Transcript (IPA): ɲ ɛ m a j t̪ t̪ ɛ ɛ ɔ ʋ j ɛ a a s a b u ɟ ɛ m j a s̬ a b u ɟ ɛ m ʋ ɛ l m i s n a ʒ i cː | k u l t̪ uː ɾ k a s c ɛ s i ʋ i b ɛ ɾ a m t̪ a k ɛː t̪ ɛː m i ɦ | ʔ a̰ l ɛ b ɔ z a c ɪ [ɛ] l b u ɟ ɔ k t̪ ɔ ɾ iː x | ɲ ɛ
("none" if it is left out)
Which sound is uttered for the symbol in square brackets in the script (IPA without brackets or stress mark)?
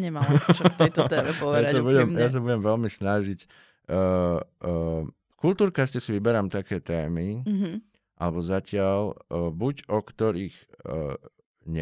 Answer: a